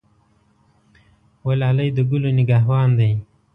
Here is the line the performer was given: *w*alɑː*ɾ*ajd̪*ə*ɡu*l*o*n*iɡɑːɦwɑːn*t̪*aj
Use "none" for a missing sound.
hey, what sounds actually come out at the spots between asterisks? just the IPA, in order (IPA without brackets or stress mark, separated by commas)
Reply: w, l, ə, l, n, d̪